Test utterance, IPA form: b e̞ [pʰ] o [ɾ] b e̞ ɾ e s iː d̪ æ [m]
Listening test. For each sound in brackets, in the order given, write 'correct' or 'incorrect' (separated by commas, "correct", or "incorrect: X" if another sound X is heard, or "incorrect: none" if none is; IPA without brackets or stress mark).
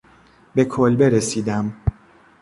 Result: incorrect: kʰ, incorrect: l, correct